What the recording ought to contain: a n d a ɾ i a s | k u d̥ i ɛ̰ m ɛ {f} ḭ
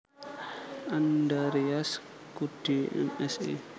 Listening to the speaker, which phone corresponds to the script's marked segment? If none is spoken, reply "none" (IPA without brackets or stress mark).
s